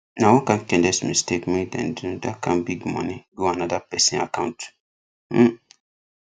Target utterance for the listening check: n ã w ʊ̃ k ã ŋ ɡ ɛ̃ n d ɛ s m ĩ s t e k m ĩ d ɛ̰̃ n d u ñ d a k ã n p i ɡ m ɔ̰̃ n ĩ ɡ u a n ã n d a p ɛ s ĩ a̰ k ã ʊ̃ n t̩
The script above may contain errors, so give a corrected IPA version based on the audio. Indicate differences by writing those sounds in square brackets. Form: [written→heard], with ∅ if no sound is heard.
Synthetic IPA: n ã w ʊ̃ k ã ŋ [ɡ→k] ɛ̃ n d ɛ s m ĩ s t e k m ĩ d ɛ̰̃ n d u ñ d a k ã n [p→b] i ɡ m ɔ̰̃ n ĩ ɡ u a n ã [n→∅] d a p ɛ s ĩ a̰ k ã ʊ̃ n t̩